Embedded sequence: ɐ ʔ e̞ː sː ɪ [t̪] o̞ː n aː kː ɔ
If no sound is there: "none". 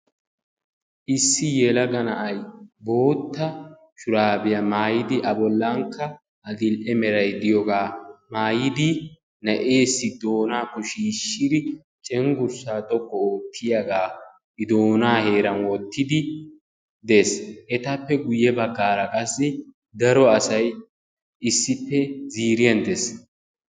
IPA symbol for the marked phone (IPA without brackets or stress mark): d̪